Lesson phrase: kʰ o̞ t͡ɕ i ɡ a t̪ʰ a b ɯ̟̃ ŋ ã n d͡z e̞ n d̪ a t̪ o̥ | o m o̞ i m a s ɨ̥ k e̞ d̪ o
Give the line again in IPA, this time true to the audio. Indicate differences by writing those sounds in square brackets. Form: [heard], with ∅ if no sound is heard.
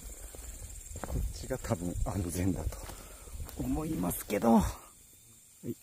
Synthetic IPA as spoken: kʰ o̞ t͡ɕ i ɡ a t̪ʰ a b ɯ̟̃ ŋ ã n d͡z [ẽ̞] n d̪ a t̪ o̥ | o m o̞ i m a s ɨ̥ k e̞ d̪ o